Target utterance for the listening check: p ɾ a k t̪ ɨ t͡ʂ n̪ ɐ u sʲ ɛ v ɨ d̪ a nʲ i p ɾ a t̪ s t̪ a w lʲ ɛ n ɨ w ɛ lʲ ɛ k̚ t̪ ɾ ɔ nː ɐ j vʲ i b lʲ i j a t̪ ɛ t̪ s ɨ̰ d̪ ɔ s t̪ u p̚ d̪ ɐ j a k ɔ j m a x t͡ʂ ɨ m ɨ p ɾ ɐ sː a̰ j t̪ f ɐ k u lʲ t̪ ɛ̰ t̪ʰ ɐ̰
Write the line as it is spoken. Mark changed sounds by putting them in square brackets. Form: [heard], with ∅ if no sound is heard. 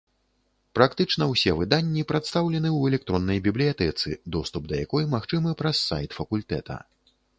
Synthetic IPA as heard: p ɾ a k t̪ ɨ t͡ʂ n̪ ɐ [w] sʲ ɛ v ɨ d̪ a [nʲː] i p ɾ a t̪ s t̪ a w lʲ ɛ n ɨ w ɛ lʲ ɛ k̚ t̪ ɾ ɔ nː ɐ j [bʲ] i b lʲ i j a t̪ ɛ t̪ s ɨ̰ d̪ ɔ s t̪ u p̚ d̪ ɐ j a k ɔ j m a x t͡ʂ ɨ m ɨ p ɾ ɐ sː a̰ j t̪ f ɐ k u lʲ t̪ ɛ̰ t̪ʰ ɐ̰